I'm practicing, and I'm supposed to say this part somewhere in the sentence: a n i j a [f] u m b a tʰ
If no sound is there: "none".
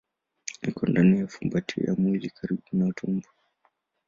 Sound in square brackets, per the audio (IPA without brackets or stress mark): f